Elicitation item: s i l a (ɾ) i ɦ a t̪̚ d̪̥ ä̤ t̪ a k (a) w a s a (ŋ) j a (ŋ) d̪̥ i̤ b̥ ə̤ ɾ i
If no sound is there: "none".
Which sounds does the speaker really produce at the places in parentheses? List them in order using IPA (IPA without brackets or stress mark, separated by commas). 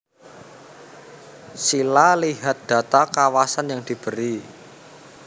l, a, n, ŋ